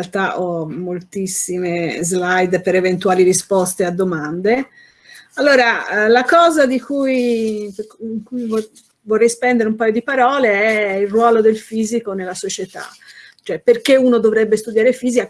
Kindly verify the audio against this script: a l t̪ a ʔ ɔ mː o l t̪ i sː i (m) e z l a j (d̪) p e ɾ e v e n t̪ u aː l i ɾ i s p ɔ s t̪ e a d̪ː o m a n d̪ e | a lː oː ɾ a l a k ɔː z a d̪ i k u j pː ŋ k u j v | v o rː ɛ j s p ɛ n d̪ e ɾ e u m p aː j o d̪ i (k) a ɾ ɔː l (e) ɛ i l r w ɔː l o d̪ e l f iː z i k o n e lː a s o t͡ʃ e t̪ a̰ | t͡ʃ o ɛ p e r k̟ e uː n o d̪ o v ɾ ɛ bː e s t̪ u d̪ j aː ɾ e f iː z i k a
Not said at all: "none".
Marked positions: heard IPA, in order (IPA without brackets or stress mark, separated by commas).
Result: m, d̪, p, e